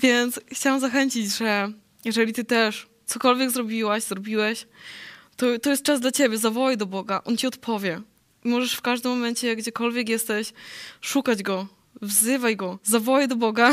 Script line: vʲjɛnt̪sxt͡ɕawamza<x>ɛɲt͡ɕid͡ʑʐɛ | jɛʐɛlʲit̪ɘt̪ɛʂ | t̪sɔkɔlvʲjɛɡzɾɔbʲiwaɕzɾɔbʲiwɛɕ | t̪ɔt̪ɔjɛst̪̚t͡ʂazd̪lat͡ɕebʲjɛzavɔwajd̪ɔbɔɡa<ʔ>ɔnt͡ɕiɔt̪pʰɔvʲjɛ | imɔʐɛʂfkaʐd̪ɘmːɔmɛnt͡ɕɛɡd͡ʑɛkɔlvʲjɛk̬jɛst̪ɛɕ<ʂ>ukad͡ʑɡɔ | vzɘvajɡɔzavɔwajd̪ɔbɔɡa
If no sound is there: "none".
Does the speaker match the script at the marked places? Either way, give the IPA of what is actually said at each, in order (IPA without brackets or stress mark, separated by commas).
x, ʔ, ʂ